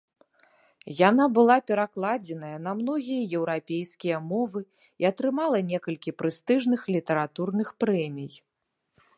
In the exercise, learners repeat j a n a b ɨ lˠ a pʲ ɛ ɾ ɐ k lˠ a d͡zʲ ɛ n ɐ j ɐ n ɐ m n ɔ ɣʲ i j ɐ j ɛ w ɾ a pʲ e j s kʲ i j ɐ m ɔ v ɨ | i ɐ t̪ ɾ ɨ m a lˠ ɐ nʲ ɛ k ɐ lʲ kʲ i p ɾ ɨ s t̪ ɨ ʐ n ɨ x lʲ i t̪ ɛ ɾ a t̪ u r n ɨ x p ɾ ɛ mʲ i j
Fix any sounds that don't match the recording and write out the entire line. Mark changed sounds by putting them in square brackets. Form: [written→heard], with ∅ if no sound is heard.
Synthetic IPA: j a n a b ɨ lˠ a pʲ ɛ ɾ [ɐ→a] k lˠ a d͡zʲ ɛ n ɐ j ɐ n ɐ m n ɔ ɣʲ i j ɐ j ɛ w ɾ a pʲ e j s kʲ i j ɐ m ɔ v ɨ | i ɐ t̪ ɾ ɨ m a lˠ ɐ nʲ ɛ k ɐ lʲ kʲ i p ɾ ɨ s t̪ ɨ ʐ n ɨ x lʲ i t̪ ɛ ɾ a t̪ u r n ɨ x p ɾ ɛ mʲ i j